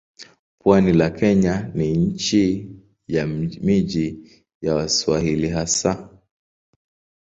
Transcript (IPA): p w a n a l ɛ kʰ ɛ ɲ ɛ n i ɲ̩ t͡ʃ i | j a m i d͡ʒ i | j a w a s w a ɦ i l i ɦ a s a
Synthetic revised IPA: p w a n i l a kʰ ɛ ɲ a n i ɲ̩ t͡ʃ i | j a m i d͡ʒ i | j a w a s w a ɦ i l i ɦ a s a